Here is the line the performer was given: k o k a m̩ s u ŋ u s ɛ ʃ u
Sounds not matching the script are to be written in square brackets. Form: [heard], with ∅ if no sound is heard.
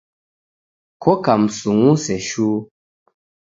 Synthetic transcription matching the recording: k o k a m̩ s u ŋ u s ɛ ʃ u